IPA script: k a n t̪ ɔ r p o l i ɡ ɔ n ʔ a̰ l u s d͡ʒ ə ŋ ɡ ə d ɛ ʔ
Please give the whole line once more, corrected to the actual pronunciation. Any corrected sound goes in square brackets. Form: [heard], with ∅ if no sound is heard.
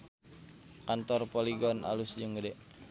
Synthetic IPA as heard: k a n t̪ ɔ r p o l i ɡ ɔ n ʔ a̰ l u s d͡ʒ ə ŋ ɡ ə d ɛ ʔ